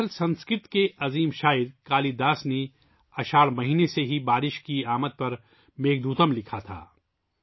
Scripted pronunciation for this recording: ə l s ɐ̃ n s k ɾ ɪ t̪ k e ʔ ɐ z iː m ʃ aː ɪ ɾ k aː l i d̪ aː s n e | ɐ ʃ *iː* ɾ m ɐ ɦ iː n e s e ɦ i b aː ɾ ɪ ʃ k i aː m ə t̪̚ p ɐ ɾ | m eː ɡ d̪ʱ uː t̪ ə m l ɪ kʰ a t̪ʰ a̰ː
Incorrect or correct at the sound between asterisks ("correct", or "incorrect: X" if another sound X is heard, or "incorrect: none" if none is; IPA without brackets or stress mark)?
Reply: incorrect: aː